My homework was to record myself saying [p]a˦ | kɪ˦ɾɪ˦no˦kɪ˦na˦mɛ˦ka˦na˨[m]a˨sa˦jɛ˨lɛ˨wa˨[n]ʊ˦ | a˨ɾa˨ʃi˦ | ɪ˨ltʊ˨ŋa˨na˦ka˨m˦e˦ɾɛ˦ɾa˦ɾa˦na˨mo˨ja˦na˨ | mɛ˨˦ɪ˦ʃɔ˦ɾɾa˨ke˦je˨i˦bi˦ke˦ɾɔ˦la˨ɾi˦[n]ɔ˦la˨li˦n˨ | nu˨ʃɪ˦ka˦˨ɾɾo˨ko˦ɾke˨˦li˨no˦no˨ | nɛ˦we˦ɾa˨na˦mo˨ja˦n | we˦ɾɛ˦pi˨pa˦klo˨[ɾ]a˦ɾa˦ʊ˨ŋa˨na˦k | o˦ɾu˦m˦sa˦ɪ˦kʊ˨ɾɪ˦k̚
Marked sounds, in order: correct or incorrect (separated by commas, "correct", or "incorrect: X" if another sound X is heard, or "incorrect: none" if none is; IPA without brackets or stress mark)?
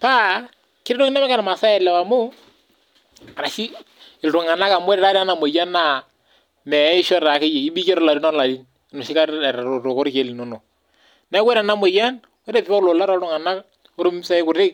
correct, correct, incorrect: m, correct, incorrect: l